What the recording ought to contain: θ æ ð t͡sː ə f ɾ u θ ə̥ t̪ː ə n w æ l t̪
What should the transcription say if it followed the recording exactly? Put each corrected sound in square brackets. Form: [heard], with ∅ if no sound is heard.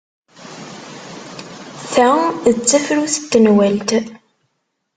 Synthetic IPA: θ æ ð t͡sː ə f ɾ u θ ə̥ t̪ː ə n w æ l t̪

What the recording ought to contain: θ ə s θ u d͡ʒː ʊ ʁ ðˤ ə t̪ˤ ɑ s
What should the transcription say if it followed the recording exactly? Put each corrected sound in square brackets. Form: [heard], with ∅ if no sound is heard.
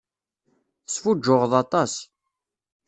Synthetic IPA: θ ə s [f] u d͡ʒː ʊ ʁ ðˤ [ɑ] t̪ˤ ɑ s

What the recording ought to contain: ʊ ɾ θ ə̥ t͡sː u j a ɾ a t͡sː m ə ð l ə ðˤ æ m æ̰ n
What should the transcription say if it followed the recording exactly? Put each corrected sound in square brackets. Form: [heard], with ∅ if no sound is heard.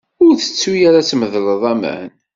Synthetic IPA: ʊ ɾ θ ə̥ t͡sː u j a ɾ a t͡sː m ə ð l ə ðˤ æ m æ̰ n

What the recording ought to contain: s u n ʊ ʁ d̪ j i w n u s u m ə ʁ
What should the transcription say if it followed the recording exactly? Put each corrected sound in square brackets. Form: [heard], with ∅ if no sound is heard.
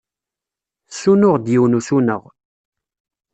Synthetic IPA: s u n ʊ ʁ d̪ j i w n u s u [n] ə ʁ

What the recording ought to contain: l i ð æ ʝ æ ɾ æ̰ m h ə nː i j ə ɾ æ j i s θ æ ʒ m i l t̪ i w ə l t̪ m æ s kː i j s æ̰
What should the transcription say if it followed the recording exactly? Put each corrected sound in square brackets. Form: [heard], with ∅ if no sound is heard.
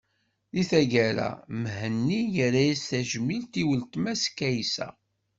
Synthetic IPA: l i [θ] æ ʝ æ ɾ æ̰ m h ə nː i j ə ɾ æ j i s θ æ ʒ m i l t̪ i w ə l t̪ m æ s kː [æ] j s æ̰

